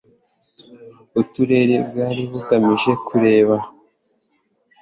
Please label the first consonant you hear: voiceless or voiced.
voiceless